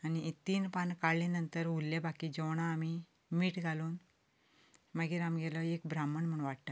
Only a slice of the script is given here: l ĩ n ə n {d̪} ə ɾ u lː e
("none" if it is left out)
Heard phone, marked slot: t̪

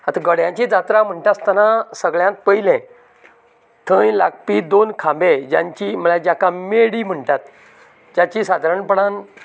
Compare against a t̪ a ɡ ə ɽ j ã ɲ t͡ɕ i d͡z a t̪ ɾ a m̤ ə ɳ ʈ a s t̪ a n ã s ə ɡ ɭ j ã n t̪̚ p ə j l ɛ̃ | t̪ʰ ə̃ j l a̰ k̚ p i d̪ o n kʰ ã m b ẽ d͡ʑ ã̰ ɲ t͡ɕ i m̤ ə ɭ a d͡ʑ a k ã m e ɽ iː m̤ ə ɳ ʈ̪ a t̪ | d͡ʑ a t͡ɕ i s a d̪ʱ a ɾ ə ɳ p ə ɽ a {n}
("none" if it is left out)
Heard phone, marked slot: n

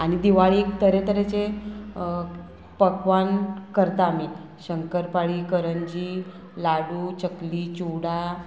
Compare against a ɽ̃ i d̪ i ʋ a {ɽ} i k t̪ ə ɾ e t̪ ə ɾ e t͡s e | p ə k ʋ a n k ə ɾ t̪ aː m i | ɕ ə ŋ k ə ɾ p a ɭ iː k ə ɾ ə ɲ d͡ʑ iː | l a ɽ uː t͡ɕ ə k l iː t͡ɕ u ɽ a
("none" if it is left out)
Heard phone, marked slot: ɭ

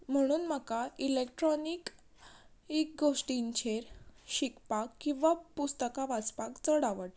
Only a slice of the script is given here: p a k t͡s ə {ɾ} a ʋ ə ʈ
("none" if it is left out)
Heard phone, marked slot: ɽ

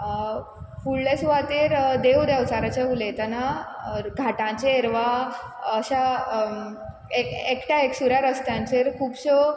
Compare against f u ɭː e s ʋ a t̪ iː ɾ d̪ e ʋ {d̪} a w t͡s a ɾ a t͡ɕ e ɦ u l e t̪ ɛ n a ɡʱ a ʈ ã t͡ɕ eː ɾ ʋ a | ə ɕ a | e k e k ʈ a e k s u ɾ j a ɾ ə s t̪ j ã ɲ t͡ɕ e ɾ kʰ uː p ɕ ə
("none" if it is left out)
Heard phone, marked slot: d̪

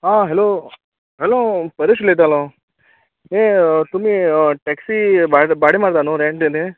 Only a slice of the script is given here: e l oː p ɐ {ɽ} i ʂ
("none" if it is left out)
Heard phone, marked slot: ɾ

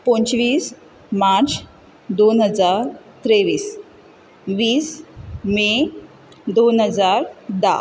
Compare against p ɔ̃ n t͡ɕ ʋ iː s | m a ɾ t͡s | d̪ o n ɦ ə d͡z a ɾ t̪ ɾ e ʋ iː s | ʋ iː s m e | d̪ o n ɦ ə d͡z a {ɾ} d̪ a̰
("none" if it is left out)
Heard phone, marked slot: ɾ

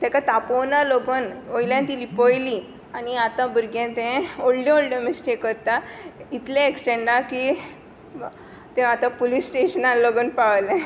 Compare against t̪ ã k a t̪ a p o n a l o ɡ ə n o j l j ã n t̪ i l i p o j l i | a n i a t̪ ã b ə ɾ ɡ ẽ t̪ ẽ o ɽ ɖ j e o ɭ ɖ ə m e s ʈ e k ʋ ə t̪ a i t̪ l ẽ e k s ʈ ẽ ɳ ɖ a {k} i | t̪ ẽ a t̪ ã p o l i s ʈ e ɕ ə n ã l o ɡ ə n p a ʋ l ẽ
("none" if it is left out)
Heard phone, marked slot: k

